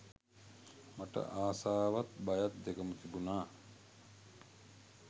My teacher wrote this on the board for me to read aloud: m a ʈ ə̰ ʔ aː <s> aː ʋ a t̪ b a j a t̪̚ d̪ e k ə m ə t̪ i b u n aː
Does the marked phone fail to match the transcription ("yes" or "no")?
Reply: no